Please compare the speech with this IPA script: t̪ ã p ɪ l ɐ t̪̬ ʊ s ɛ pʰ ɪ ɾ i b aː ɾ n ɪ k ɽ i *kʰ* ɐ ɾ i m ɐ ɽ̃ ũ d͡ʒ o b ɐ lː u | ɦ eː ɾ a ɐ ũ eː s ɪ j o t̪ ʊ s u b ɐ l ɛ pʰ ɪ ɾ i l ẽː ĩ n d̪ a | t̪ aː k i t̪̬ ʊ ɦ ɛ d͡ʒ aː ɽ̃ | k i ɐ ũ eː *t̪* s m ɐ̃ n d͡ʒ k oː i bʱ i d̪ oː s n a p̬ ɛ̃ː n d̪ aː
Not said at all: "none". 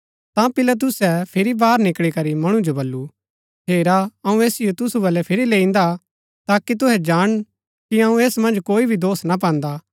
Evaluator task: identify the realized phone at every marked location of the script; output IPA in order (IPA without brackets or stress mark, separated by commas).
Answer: k, none